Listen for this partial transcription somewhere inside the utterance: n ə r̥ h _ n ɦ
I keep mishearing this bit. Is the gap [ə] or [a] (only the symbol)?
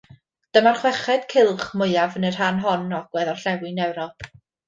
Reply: a